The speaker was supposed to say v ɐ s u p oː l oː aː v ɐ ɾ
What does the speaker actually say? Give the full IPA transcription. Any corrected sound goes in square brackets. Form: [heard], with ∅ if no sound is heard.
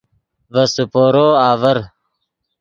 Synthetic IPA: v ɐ s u p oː [ɾ] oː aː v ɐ ɾ